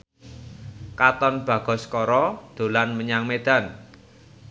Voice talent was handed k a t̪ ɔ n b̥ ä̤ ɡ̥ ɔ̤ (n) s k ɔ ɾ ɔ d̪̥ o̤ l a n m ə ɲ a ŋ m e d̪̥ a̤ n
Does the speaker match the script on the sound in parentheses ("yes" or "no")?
no